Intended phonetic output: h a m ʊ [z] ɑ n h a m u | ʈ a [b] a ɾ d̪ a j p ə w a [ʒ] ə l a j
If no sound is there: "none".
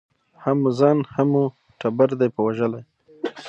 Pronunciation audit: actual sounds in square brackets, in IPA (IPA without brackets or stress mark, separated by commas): z, b, ʒ